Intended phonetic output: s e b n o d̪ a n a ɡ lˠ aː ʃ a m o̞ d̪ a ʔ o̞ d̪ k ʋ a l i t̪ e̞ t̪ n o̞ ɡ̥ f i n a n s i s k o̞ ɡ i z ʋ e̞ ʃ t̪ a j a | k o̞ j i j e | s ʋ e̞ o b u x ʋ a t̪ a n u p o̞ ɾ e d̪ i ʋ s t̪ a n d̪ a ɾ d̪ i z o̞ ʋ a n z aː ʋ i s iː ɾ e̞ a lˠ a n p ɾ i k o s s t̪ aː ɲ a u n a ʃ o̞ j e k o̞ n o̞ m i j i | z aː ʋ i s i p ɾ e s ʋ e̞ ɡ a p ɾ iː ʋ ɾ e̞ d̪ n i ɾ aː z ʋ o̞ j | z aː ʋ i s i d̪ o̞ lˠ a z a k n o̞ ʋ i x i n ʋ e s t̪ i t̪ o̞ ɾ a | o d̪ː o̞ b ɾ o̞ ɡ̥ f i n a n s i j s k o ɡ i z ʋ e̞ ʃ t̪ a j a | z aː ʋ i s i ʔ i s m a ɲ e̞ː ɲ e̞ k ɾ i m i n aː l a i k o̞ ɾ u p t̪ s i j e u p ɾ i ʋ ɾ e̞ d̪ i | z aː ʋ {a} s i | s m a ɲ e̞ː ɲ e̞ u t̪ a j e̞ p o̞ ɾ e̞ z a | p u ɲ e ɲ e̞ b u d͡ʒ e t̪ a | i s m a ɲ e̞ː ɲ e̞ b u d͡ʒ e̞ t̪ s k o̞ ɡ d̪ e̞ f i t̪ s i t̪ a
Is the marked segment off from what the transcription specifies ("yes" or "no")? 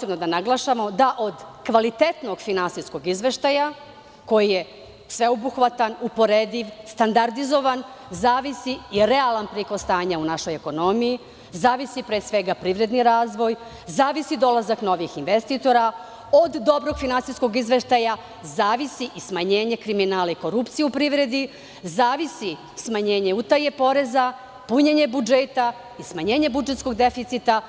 yes